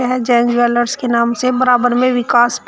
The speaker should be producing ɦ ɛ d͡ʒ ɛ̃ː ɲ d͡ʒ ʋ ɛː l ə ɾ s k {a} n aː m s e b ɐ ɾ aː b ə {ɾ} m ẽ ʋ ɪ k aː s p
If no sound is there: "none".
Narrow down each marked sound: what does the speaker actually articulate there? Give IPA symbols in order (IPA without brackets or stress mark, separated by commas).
e, ɾ